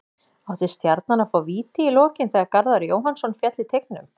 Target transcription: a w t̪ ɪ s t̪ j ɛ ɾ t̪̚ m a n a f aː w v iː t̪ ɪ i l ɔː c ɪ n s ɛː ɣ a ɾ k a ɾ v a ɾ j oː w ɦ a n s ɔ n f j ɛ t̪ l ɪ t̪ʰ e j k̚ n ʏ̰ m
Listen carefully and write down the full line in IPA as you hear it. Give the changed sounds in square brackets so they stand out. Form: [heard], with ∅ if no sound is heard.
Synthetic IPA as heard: a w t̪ ɪ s t̪ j [a] ɾ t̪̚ [n] a n a f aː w v iː t̪ ɪ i l ɔː c ɪ n [θ] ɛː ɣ a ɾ k a ɾ [ð] a ɾ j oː w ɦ a n s ɔ n f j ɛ t̪ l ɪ t̪ʰ e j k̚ n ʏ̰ m